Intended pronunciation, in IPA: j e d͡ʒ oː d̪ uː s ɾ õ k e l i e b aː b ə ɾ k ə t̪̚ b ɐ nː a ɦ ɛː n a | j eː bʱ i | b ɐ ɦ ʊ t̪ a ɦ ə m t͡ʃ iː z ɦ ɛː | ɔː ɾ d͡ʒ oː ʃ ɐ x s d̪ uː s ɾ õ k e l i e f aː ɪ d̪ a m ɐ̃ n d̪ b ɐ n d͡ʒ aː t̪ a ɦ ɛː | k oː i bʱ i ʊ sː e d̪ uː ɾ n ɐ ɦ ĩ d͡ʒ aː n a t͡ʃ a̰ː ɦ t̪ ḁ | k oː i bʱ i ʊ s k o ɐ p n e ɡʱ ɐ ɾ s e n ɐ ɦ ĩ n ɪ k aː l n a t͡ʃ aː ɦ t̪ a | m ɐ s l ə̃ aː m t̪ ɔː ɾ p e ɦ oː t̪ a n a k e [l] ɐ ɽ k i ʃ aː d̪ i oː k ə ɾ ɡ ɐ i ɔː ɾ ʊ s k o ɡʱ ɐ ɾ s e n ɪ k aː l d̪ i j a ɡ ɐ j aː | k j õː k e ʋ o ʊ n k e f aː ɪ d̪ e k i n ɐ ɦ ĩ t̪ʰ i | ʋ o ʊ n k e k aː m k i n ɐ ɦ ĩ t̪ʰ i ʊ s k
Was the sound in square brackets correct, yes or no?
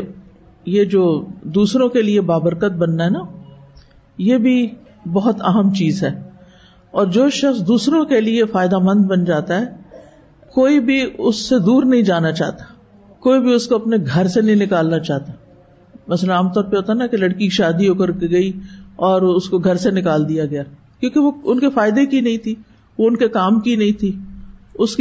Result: yes